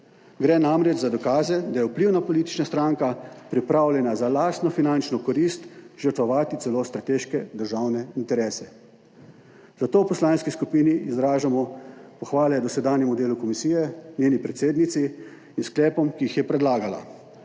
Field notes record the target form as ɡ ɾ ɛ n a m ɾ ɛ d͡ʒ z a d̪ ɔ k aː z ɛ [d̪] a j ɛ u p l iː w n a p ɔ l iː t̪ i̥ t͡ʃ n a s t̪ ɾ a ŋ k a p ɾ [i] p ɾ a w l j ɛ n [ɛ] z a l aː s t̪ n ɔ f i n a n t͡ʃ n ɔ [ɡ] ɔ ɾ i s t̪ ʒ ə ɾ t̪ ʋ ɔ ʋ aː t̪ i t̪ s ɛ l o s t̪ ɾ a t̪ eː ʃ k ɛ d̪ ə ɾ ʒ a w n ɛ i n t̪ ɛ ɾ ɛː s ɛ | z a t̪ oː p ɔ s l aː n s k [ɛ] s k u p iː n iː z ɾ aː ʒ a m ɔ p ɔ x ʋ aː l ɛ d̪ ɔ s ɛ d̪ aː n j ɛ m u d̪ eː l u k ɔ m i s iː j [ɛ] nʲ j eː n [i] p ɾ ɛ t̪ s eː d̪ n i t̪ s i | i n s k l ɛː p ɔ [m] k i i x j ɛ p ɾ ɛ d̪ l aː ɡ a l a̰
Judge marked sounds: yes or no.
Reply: yes, yes, no, no, no, yes, yes, yes

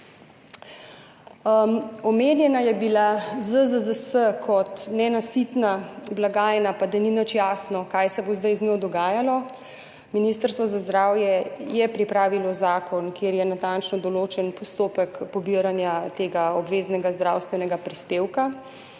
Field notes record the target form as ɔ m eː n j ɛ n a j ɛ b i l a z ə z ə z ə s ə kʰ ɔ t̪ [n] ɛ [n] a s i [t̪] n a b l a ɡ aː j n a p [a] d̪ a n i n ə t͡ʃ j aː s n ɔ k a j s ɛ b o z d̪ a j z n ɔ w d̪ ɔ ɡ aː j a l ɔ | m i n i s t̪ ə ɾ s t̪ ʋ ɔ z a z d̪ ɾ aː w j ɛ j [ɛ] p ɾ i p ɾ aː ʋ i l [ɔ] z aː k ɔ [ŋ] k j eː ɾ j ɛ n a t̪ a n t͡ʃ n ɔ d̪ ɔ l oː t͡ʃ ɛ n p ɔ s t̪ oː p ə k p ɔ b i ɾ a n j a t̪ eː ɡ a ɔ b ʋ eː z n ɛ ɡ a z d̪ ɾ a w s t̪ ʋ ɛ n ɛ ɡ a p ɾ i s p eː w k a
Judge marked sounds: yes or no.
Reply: yes, yes, yes, yes, yes, yes, no

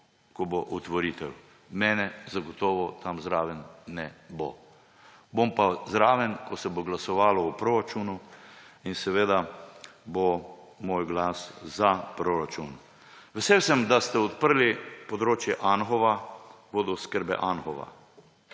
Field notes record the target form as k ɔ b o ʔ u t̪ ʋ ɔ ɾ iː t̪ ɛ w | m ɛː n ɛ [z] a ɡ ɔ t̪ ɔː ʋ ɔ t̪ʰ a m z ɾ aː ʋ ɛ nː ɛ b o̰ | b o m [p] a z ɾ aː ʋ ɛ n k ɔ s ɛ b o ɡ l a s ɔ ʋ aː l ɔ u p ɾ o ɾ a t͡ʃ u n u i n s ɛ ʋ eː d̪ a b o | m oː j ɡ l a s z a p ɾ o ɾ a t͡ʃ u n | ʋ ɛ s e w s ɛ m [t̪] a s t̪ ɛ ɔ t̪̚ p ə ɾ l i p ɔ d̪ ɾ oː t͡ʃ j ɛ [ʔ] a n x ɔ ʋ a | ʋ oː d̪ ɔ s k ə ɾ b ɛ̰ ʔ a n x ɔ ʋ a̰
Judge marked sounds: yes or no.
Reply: yes, yes, no, yes

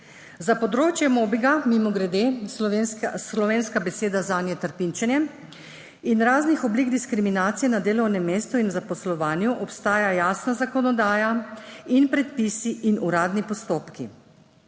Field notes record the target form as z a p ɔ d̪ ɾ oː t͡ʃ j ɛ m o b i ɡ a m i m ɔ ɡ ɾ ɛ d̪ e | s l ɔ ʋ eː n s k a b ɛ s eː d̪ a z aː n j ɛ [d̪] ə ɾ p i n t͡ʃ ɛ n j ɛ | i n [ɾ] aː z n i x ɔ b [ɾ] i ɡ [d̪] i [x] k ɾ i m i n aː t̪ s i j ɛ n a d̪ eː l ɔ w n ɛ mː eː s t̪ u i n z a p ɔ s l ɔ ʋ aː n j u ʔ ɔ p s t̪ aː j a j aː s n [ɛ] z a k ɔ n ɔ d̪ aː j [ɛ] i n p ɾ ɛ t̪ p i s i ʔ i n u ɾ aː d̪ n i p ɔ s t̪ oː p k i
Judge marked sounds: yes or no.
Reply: no, yes, no, yes, no, no, no

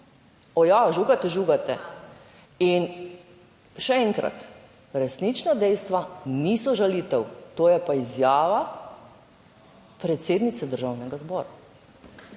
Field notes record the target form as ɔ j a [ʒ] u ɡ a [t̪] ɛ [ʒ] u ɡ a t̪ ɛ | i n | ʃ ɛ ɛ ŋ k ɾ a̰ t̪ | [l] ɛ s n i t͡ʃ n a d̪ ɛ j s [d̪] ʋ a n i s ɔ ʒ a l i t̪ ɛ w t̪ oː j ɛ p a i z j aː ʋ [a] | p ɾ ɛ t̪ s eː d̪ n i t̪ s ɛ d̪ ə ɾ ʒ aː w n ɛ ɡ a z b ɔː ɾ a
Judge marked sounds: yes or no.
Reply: yes, yes, yes, no, no, yes

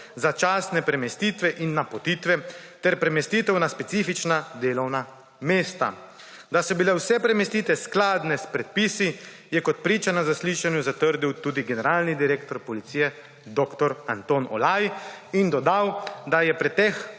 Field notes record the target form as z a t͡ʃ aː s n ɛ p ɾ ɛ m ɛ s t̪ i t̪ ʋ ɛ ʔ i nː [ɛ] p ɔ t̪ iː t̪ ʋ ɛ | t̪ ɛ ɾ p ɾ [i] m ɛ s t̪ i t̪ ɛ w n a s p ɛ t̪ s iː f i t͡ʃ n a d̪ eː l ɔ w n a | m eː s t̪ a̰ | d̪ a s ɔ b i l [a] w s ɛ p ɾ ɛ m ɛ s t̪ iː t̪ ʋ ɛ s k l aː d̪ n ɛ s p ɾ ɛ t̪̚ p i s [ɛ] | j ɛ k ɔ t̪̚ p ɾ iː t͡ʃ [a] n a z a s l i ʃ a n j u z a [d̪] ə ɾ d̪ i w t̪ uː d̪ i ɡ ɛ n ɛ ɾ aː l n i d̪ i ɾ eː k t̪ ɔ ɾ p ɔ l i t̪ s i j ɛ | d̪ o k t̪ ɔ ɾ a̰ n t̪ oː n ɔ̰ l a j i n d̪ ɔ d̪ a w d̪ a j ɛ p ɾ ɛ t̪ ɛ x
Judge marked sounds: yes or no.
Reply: no, no, no, no, yes, no

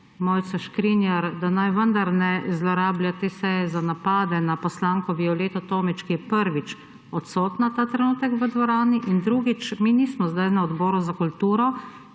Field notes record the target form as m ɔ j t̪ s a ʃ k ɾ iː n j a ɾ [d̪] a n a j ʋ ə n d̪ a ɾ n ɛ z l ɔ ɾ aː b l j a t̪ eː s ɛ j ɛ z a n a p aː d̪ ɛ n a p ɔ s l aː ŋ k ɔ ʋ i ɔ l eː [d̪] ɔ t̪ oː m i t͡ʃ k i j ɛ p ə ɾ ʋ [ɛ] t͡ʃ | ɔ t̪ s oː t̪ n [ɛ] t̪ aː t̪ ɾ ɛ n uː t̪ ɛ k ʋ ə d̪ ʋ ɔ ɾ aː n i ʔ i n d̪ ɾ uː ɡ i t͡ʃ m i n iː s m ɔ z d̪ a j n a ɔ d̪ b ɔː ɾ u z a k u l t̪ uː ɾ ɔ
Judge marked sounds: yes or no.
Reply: yes, no, no, no

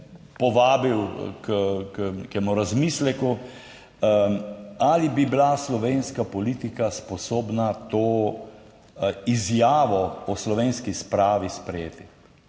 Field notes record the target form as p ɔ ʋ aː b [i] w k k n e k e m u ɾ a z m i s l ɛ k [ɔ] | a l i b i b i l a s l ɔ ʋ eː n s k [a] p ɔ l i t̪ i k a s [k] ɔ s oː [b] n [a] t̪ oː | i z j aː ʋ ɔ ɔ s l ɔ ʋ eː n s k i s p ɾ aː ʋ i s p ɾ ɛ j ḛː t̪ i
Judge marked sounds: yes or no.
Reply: yes, no, yes, no, yes, yes

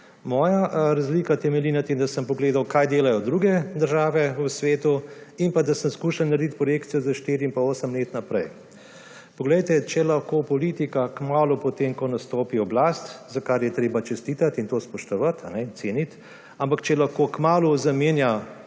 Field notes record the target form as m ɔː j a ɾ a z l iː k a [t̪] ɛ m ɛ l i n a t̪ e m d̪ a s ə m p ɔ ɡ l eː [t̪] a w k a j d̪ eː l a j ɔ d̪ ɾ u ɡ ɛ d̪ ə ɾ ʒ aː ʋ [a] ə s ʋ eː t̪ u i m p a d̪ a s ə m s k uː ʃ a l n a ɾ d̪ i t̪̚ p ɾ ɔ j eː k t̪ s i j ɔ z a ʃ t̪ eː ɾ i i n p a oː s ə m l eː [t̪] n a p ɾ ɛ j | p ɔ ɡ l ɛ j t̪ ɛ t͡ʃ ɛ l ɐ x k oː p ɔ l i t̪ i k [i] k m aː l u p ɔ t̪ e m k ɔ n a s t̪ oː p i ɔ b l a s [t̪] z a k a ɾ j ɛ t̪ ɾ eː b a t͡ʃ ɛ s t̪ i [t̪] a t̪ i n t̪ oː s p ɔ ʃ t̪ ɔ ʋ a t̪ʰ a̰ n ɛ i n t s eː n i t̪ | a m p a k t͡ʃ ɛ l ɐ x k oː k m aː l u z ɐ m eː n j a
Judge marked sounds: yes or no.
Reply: yes, no, no, yes, no, yes, yes

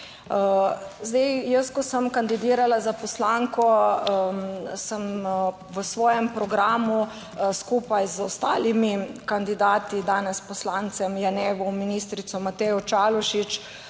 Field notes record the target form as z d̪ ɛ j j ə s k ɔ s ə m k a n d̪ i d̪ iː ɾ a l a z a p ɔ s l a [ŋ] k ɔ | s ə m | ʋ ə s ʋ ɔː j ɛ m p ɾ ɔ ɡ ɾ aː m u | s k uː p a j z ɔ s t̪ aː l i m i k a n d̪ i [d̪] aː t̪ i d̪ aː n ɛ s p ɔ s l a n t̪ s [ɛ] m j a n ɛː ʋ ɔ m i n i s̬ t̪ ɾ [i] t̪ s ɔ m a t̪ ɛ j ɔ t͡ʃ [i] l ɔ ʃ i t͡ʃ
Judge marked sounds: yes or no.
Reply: yes, yes, yes, yes, no

